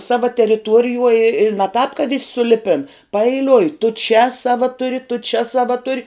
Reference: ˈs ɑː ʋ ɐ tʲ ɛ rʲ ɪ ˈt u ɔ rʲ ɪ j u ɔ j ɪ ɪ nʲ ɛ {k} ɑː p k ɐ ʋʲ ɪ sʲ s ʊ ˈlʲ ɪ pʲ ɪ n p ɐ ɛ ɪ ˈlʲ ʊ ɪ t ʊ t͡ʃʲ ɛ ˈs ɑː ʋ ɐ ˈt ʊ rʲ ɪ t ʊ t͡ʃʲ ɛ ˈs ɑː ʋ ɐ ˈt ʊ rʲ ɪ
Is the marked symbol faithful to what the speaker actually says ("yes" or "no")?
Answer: no